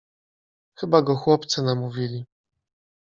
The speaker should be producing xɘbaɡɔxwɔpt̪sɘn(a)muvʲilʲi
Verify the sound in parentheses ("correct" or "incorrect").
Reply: correct